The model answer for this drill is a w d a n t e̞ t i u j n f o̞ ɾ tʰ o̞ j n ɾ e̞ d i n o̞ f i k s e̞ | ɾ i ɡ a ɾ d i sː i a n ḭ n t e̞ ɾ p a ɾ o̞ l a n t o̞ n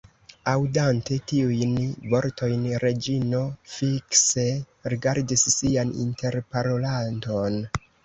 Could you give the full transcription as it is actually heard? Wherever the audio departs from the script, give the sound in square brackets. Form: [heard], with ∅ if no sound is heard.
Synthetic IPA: a w d a n t e̞ t i u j n [v] o̞ ɾ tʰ o̞ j n ɾ e̞ [d͡ʒ] i n o̞ f i k s e̞ | ɾ i ɡ a ɾ d i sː i a n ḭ n t e̞ ɾ p a ɾ o̞ l a n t o̞ n